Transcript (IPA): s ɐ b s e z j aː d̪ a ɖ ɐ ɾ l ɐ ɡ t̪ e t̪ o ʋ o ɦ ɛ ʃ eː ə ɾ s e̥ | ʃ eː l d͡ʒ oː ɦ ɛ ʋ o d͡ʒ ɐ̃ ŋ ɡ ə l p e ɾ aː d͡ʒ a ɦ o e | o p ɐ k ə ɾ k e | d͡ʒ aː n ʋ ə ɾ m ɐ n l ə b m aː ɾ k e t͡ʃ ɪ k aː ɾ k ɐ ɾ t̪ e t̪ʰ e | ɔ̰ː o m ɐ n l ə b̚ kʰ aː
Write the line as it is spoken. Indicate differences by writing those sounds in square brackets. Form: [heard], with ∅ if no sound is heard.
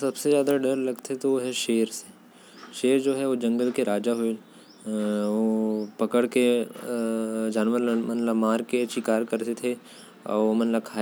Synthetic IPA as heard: s ɐ b s e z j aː d̪ a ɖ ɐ ɾ l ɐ ɡ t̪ e t̪ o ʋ o ɦ ɛ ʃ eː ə ɾ s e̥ | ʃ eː [ɾ] d͡ʒ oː ɦ ɛ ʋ o d͡ʒ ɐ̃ ŋ ɡ ə l [k] e ɾ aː d͡ʒ a ɦ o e | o p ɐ k ə [ɽ] k e | d͡ʒ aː n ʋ ə ɾ m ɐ n l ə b m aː ɾ k e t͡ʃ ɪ k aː ɾ k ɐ ɾ t̪ e t̪ʰ e | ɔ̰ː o m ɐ n l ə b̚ kʰ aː